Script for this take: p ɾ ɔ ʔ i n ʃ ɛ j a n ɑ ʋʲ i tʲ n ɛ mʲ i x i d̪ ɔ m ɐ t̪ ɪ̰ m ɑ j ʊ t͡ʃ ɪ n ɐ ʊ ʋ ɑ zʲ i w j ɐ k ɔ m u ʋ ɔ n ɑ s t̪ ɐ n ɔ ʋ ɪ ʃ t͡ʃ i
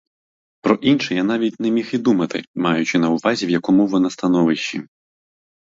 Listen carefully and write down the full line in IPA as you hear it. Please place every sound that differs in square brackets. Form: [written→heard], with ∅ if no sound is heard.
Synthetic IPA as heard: p ɾ ɔ ʔ i n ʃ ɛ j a n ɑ ʋʲ i tʲ n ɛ mʲ i x i d̪ [ɔ→u] m ɐ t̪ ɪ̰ m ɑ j ʊ t͡ʃ ɪ n ɐ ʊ ʋ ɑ zʲ i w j ɐ k ɔ m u ʋ ɔ n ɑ s t̪ ɐ n ɔ ʋ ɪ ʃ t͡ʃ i